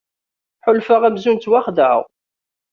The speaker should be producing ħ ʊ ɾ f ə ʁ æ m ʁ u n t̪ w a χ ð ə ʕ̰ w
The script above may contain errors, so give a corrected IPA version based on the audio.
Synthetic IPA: ħ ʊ l f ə ʁ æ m z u n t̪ w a χ ð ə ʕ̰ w